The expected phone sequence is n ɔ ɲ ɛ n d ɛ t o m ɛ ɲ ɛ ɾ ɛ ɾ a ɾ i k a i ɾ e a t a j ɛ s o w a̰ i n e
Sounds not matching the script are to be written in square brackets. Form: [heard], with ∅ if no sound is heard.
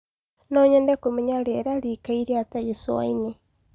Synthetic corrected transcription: n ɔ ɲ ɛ n d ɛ [k] o m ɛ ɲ [a] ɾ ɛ ɾ a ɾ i k a i ɾ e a t a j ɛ s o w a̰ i n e